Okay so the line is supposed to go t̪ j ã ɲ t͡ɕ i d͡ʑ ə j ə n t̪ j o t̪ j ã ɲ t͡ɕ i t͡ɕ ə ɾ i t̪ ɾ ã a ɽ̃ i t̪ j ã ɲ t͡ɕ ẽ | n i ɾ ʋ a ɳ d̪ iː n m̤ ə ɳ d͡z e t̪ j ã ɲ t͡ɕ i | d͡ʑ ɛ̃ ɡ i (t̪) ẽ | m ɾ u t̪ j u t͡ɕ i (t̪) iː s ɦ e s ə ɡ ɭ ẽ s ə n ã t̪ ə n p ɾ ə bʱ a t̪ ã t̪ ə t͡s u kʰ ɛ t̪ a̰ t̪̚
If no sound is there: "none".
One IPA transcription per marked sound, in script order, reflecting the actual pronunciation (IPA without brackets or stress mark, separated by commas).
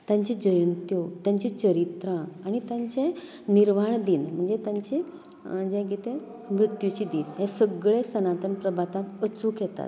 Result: t̪, d̪